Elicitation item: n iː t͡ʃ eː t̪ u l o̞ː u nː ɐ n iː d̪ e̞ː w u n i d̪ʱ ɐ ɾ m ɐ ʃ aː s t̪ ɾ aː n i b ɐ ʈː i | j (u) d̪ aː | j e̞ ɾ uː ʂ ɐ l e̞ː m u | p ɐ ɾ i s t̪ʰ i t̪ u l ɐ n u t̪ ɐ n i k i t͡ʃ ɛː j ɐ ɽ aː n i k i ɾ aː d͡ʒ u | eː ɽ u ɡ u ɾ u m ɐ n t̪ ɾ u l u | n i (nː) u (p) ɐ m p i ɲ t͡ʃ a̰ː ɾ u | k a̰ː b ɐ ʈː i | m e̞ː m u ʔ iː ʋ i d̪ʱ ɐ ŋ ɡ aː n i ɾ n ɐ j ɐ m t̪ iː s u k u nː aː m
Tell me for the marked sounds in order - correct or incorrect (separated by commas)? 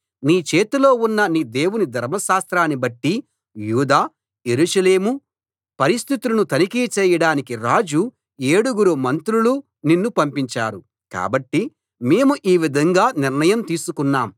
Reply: incorrect, correct, correct